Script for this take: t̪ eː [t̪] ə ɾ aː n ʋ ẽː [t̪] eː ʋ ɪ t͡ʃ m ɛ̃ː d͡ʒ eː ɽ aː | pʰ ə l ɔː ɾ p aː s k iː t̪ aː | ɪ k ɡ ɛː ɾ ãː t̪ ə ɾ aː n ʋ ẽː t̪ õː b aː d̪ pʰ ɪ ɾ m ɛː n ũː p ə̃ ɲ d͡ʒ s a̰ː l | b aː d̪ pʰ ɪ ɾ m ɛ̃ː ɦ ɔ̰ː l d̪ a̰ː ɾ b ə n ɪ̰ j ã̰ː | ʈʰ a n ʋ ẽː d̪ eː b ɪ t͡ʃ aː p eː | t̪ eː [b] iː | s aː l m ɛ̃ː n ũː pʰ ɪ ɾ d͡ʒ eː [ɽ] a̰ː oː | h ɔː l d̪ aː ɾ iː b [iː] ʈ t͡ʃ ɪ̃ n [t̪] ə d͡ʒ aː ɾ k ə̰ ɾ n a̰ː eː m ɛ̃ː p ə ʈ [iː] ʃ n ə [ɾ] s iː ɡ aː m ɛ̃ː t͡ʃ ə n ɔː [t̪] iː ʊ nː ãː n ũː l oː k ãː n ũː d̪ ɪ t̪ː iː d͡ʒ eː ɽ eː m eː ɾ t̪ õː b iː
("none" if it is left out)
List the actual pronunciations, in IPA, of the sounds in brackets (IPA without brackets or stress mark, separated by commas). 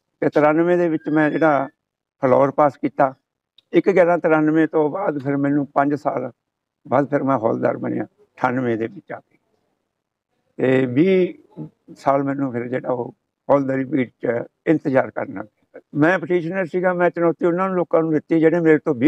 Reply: t̪, d̪, b, ɽ, iː, t̪, iː, ɾ, t̪